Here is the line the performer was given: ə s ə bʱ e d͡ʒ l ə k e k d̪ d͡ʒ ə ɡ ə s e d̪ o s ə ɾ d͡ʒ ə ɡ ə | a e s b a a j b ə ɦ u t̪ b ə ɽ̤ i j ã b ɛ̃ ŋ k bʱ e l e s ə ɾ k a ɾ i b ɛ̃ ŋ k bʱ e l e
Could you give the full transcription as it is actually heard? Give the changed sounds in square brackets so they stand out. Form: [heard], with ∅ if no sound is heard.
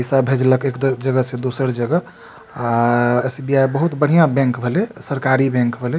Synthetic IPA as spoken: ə s [a] bʱ e d͡ʒ l ə k e k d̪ d͡ʒ ə ɡ ə s e d̪ o s ə ɾ d͡ʒ ə ɡ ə | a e s b [i] a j b ə ɦ u t̪ b ə ɽ̤ i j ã b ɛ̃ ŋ k bʱ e l e s ə ɾ k a ɾ i b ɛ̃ ŋ k bʱ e l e